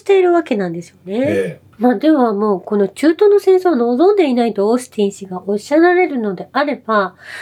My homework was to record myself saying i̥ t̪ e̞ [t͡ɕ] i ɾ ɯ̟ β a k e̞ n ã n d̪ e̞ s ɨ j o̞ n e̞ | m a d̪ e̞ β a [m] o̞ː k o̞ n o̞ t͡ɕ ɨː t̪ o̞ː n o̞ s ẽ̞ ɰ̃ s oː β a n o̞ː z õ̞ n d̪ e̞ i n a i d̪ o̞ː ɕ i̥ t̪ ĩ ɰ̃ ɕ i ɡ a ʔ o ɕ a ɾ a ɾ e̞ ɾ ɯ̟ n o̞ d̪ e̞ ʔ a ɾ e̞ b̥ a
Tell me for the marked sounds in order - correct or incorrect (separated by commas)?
incorrect, correct